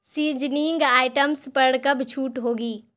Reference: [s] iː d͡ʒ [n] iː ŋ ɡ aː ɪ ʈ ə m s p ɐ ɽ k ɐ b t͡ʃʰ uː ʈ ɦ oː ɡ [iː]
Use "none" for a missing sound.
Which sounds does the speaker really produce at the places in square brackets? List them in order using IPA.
s, n, iː

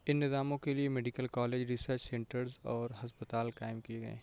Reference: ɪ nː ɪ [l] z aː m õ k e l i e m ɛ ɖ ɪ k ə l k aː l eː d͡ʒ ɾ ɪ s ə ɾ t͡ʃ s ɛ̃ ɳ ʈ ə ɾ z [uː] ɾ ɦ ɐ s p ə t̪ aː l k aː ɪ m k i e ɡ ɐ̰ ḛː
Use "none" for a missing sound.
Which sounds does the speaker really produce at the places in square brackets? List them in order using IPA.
none, ɔː

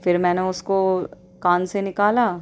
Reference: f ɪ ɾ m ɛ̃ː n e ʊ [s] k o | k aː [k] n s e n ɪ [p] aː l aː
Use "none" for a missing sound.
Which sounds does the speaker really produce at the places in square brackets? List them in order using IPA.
s, none, k

